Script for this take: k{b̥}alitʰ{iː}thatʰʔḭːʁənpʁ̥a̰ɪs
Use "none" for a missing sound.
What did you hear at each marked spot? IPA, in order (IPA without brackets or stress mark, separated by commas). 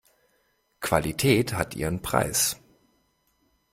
v̥, ɛː